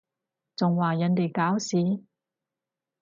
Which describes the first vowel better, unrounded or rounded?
rounded